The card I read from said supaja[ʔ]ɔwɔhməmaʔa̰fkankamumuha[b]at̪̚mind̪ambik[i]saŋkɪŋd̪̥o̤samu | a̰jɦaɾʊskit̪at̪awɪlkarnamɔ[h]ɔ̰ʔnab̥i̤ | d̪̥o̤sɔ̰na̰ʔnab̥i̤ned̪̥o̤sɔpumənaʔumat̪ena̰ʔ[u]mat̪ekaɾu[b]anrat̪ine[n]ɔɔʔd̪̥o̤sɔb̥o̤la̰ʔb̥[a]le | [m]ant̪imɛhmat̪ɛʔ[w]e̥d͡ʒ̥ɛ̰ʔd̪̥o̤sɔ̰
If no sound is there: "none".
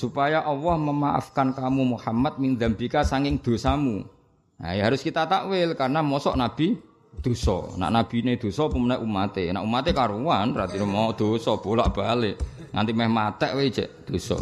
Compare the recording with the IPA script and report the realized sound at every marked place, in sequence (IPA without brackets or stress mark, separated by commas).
ʔ, m, a, s, u, w, m, a, ŋ, w